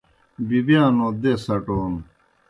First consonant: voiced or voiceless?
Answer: voiced